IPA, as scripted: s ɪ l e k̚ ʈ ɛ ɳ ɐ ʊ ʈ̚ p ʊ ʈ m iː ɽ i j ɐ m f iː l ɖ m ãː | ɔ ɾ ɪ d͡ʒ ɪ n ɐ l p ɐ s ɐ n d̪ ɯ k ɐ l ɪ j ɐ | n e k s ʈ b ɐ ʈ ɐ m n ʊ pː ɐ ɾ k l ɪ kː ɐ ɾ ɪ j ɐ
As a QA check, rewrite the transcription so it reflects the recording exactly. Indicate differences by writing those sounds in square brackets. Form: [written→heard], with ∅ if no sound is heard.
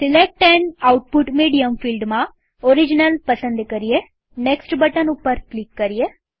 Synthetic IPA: s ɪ l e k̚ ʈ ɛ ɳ ɐ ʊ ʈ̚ p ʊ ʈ m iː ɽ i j ɐ m f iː l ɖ m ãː | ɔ ɾ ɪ d͡ʒ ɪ n ɐ l p ɐ s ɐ n d̪ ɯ k ɐ [l→ɾ] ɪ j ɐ | n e k s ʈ b ɐ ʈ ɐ [m→∅] n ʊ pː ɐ ɾ k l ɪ kː ɐ ɾ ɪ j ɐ